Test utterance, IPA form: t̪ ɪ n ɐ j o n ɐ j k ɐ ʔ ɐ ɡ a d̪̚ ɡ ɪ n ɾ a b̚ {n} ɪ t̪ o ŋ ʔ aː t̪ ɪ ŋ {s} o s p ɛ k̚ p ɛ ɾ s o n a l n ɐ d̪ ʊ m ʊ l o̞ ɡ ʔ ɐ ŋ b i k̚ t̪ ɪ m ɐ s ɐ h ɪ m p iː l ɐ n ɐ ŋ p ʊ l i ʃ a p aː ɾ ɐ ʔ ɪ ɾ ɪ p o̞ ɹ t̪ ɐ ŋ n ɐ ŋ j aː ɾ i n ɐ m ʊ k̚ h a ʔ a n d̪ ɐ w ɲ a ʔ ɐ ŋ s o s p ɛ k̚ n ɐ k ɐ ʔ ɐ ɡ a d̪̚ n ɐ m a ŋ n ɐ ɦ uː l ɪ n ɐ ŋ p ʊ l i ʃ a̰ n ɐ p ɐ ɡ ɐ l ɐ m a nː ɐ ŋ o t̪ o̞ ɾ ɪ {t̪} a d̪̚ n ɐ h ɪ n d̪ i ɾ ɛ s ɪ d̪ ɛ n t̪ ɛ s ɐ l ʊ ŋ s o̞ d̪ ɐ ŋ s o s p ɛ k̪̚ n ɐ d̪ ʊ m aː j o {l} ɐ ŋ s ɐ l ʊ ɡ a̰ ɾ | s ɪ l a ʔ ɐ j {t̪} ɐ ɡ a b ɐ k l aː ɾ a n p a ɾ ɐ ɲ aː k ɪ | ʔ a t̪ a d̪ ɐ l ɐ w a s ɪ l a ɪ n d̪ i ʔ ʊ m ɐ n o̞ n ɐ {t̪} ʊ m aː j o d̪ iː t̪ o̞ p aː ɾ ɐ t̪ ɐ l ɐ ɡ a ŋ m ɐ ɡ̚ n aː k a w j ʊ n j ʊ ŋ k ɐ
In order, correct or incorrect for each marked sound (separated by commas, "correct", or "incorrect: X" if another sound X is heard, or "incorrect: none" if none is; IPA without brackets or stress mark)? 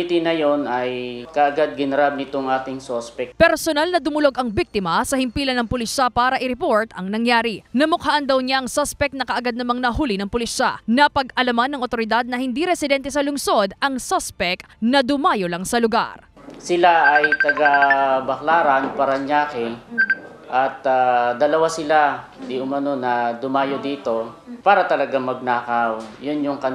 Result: correct, correct, incorrect: d̪, correct, correct, incorrect: d̪